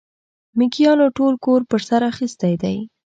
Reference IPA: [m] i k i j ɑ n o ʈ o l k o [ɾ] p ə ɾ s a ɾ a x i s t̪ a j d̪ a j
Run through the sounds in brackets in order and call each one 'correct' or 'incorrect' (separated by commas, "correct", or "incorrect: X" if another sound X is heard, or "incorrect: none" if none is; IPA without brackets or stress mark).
correct, correct